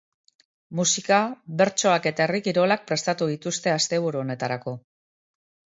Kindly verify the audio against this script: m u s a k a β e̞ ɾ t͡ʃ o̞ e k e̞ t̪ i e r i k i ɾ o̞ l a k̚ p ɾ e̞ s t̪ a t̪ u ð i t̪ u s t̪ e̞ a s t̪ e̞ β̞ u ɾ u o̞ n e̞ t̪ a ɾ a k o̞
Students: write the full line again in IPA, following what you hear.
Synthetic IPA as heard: m u s i k a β e̞ ɾ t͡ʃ o̞ a k e̞ t̪ a e r i k i ɾ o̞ l a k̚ p ɾ e̞ s t̪ a t̪ u ð i t̪ u s t̪ e̞ a s t̪ e̞ β̞ u ɾ u o̞ n e̞ t̪ a ɾ a k o̞